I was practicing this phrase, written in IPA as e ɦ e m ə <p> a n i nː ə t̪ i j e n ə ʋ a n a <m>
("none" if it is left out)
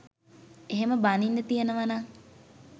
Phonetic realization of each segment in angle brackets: b, ŋ

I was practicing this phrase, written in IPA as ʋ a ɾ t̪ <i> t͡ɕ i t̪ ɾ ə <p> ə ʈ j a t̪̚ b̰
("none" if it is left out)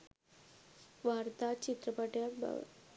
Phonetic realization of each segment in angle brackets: a, p

